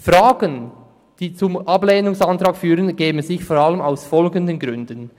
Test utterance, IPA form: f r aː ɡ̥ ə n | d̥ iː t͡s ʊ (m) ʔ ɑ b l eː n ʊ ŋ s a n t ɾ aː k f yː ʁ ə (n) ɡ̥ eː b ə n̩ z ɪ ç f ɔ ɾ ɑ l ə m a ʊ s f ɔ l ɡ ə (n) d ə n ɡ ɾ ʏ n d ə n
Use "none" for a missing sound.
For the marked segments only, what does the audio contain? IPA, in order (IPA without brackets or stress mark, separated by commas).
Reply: m, n, n